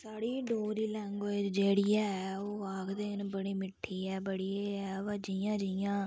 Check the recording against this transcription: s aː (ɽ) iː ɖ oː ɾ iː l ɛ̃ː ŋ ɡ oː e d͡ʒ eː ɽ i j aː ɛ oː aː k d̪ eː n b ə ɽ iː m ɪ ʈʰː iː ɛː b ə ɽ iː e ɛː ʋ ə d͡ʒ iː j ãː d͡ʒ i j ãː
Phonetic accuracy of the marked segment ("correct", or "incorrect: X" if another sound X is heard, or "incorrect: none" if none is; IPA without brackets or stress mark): correct